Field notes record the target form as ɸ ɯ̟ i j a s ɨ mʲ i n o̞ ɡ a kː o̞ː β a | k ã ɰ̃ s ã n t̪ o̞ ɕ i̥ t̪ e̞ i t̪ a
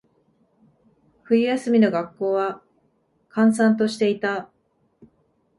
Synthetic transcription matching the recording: ɸ ɯ̟ i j a s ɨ mʲ i n o̞ ɡ a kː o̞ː β a | k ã ɰ̃ s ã n t̪ o̞ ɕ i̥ t̪ e̞ i t̪ a